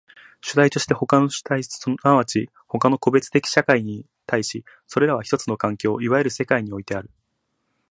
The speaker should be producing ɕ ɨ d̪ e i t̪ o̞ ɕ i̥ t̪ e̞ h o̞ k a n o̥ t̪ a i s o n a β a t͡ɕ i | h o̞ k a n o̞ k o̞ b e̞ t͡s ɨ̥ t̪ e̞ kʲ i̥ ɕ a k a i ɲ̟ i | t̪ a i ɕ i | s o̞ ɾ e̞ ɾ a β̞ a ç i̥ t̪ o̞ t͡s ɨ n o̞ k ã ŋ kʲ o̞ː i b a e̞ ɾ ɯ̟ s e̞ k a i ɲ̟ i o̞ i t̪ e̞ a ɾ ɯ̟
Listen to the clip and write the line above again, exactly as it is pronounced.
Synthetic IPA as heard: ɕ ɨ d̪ a i t̪ o̞ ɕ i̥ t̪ e̞ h o̞ k a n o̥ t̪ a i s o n a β a t͡ɕ i | h o̞ k a n o̞ k o̞ b e̞ t͡s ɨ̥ t̪ e̞ kʲ i̥ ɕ a k a i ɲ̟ i | t̪ a i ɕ i | s o̞ ɾ e̞ ɾ a β̞ a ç i̥ t̪ o̞ t͡s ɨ n o̞ k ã ŋ kʲ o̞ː i β a e̞ ɾ ɯ̟ s e̞ k a i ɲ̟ i o̞ i t̪ e̞ a ɾ ɯ̟